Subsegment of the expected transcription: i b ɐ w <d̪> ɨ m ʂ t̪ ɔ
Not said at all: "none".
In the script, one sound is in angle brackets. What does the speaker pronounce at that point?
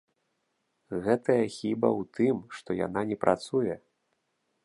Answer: t̪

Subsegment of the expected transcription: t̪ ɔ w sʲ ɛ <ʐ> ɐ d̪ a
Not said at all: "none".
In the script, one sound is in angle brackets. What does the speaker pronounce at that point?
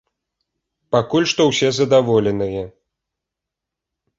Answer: z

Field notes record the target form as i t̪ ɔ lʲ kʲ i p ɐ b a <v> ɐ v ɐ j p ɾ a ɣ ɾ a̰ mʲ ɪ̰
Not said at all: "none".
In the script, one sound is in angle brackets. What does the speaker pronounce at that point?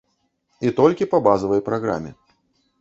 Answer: z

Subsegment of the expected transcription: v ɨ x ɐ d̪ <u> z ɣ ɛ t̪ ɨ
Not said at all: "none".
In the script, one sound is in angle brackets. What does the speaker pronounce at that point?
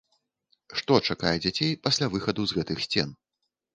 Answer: u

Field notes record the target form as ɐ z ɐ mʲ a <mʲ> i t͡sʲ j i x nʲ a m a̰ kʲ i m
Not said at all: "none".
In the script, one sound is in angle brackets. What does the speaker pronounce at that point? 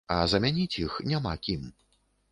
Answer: nʲ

